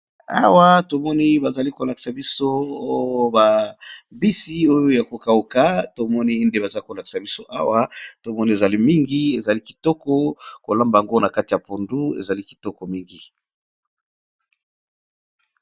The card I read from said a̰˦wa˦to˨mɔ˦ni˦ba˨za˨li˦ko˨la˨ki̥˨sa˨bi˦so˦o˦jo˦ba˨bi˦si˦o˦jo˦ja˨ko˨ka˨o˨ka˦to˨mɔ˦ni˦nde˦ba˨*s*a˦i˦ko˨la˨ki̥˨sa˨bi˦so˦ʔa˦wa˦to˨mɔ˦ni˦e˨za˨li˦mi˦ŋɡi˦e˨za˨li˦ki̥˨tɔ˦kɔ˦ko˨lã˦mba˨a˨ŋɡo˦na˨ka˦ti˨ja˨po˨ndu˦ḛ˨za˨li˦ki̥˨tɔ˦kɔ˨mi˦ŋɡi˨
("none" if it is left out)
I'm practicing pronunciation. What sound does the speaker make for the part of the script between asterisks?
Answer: z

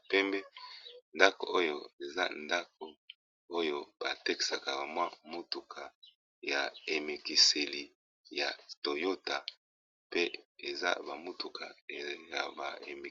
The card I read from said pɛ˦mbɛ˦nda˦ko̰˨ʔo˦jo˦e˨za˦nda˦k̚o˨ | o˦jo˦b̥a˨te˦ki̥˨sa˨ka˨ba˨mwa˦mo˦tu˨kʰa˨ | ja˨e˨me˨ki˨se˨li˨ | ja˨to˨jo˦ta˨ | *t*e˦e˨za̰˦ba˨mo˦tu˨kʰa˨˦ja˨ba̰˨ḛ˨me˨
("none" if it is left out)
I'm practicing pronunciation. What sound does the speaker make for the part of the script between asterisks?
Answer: p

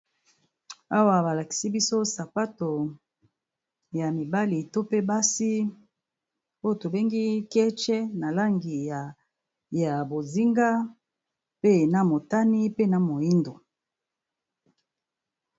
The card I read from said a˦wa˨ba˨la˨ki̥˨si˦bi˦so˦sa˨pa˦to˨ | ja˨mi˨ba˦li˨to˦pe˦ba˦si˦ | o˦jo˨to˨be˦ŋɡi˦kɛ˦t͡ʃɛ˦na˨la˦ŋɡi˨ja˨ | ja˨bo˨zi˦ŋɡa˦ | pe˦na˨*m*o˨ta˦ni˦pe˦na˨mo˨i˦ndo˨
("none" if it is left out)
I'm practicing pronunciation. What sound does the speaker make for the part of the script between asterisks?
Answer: m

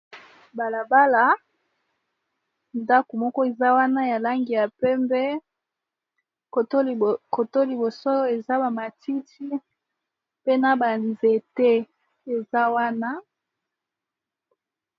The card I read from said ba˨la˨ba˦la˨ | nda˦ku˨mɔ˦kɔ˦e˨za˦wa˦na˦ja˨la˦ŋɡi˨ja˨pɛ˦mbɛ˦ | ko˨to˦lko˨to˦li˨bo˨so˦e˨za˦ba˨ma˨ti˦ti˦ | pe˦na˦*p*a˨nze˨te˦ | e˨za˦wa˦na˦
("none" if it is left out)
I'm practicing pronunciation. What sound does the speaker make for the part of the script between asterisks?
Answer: b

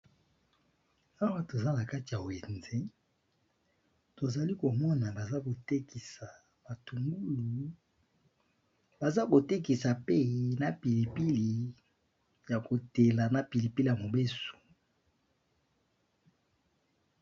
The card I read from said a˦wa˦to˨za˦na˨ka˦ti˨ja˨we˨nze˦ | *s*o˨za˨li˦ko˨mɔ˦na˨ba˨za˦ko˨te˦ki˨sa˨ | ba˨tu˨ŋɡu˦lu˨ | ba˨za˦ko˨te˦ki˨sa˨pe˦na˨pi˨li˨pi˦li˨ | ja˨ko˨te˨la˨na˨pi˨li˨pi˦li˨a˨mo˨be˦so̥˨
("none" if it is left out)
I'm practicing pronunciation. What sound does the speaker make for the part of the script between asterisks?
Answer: t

